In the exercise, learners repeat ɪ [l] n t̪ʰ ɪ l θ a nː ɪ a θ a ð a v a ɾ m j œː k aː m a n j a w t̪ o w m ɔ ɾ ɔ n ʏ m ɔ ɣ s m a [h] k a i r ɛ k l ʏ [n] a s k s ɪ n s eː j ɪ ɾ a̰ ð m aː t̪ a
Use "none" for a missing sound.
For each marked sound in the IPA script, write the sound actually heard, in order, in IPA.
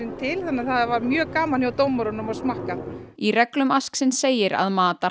none, h, m

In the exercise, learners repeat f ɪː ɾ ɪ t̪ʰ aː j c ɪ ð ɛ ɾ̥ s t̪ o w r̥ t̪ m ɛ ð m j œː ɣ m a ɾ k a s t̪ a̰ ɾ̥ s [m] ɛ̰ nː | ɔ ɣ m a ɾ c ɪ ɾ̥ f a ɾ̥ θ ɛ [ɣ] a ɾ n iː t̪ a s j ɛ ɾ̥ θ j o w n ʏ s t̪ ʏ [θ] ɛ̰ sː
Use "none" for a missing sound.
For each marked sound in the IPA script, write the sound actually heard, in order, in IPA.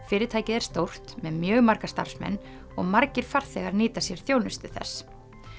m, ɣ, θ

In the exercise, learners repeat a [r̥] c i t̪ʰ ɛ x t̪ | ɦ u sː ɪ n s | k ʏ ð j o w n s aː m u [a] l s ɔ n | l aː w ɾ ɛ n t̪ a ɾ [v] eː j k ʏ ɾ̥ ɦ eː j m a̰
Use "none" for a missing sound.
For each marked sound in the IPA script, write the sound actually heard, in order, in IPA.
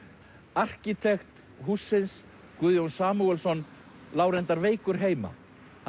r̥, ɛ, v

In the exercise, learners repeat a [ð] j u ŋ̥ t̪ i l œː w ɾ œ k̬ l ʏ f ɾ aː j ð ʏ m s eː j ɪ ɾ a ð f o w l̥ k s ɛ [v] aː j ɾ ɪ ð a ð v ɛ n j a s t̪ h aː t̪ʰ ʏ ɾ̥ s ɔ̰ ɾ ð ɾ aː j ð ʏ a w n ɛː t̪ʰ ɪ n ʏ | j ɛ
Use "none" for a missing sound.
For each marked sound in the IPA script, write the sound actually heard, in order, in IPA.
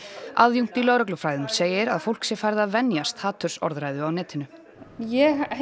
ð, f

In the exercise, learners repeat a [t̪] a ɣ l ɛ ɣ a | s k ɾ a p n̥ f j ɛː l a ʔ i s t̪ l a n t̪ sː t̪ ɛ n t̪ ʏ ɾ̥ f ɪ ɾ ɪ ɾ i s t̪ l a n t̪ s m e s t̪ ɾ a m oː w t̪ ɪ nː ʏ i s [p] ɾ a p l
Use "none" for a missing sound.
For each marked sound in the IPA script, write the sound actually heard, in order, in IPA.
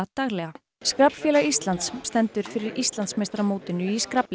t̪, k

